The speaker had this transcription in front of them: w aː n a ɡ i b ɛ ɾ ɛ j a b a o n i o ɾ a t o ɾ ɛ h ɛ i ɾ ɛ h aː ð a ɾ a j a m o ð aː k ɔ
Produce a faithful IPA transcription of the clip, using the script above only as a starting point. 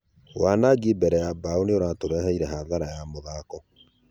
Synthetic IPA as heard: w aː n a ɡ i b ɛ ɾ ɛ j a b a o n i o ɾ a t o ɾ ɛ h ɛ i ɾ ɛ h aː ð a ɾ a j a m o ð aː k ɔ